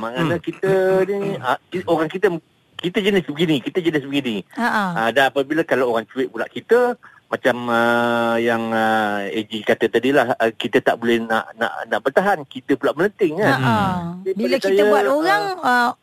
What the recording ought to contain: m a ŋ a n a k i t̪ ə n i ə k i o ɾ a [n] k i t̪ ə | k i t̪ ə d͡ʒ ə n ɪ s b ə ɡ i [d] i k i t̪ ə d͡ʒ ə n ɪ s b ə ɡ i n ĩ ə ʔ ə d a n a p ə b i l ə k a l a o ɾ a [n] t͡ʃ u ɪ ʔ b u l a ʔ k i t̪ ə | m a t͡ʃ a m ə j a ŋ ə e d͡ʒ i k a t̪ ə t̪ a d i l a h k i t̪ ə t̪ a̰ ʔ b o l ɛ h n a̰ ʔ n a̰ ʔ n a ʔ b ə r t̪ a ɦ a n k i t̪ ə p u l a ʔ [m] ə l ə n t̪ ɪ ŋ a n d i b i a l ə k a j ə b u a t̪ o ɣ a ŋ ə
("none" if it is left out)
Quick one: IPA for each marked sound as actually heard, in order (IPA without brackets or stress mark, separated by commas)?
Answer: ŋ, n, ŋ, m